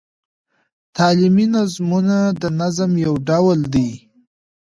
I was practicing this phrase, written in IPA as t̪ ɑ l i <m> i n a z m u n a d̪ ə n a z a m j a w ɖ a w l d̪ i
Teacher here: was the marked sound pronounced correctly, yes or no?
yes